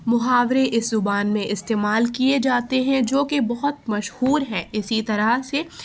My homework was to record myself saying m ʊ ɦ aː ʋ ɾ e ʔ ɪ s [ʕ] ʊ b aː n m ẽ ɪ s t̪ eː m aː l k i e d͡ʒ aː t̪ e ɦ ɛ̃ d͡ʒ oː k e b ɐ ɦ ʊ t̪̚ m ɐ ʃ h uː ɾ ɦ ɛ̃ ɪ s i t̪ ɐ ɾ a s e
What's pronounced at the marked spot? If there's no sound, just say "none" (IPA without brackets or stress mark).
z